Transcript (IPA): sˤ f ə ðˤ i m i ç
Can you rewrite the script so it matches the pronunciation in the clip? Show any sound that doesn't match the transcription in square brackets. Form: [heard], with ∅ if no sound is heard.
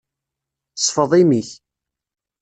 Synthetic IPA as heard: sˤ f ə ðˤ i m i ç